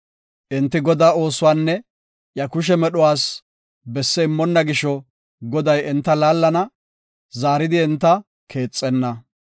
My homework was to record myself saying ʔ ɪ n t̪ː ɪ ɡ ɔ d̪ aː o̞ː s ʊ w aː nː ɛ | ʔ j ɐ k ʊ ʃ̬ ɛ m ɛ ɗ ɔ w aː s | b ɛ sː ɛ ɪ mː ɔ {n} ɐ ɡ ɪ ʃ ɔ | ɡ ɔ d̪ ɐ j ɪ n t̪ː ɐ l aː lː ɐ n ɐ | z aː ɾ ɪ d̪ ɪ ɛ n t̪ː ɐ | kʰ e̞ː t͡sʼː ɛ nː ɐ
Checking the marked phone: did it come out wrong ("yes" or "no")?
yes